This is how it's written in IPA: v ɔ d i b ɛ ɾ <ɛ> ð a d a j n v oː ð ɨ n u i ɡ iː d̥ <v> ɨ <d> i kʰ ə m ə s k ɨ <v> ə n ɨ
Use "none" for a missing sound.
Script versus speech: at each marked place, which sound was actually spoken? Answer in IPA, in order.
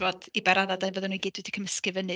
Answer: a, w, d, v

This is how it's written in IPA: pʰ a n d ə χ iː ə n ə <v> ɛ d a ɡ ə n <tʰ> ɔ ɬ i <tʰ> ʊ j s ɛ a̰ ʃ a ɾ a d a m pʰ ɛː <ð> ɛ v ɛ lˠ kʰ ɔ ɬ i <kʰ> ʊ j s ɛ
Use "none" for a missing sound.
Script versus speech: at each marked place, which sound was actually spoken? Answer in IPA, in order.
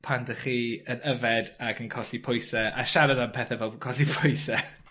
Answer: v, kʰ, pʰ, θ, pʰ

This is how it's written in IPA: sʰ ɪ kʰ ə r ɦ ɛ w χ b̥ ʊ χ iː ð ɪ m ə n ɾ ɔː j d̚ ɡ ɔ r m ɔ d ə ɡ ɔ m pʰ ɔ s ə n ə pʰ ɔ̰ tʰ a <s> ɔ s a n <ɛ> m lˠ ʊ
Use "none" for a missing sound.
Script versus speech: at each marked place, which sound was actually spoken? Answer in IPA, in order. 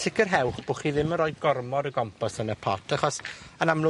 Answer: χ, a

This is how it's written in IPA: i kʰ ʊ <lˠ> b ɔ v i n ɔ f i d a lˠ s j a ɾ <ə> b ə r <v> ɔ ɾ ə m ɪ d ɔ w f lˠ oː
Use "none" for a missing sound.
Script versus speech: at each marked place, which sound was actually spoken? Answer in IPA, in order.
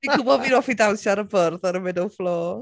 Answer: none, ə, ð

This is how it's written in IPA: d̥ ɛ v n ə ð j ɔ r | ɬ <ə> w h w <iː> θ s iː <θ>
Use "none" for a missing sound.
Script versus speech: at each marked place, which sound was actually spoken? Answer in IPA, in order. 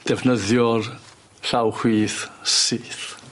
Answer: a, iː, θ

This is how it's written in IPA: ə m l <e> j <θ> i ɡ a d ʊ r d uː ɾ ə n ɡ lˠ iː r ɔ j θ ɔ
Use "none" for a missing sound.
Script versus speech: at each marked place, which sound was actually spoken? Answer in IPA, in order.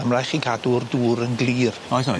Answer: a, χ

